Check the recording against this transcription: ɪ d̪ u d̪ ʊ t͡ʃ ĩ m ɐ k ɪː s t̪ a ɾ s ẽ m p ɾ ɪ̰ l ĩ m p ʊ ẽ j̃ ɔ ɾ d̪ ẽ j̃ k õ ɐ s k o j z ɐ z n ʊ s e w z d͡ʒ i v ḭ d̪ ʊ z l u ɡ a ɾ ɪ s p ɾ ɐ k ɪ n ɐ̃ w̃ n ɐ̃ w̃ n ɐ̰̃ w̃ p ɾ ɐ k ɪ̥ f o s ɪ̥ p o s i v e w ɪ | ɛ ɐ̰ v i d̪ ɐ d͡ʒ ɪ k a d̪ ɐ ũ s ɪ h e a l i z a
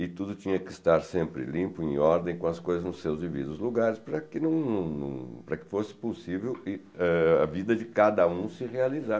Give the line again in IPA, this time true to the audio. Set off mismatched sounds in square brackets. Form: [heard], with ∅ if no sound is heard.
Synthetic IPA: ɪ [t̪] u d̪ ʊ t͡ʃ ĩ [ɲ] ɐ k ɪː s t̪ a ɾ s ẽ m p ɾ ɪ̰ l ĩ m p ʊ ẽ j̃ ɔ ɾ d̪ ẽ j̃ k õ ɐ s k o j z ɐ z n ʊ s e w z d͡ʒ i v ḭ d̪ ʊ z l u ɡ a ɾ ɪ s p ɾ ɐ k ɪ n ɐ̃ w̃ n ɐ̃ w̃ n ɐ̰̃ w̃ p ɾ ɐ k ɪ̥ f o s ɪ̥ p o s i v e w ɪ | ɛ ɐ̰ v i d̪ ɐ d͡ʒ ɪ k a d̪ ɐ ũ s ɪ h e a l i z a